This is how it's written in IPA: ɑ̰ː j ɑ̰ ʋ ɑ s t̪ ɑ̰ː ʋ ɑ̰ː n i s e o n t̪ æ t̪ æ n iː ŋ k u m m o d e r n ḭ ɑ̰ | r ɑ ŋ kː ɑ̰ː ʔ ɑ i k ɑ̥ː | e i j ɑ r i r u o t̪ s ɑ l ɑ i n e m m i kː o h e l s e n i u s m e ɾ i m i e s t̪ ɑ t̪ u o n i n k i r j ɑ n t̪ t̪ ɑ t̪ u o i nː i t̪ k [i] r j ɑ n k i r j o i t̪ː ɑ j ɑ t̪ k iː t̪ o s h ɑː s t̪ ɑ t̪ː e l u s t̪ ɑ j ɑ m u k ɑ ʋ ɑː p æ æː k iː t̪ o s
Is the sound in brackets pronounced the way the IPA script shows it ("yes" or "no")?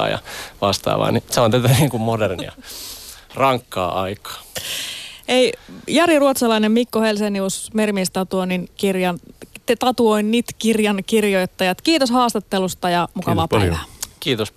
yes